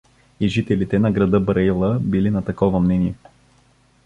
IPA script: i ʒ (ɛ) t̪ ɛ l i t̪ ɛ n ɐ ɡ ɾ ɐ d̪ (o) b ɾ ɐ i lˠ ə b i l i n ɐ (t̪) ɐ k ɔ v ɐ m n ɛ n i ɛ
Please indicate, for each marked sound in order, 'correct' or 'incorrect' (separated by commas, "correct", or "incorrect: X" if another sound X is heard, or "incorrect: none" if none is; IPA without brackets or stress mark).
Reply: incorrect: i, incorrect: ɤ, correct